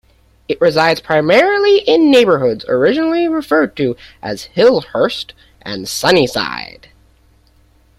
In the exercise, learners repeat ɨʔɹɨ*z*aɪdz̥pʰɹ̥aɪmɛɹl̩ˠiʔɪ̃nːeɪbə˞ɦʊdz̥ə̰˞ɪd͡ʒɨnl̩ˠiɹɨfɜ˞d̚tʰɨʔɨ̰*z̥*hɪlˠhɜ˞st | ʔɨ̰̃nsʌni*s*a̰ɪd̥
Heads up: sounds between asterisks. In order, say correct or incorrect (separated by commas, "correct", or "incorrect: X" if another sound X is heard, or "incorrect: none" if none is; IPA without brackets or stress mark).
correct, correct, correct